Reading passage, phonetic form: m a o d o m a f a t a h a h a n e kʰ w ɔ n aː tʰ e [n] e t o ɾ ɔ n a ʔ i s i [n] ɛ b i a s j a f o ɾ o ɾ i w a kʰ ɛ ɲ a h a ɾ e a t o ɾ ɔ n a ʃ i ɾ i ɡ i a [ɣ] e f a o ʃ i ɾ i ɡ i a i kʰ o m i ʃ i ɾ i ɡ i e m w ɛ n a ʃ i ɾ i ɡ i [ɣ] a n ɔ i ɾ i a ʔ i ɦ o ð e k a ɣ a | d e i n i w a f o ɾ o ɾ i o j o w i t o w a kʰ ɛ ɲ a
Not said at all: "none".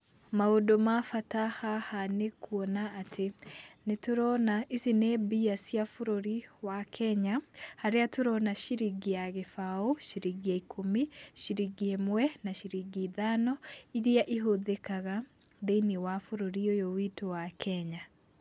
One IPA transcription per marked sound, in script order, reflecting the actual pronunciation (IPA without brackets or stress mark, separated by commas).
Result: n, n, ɣ, ð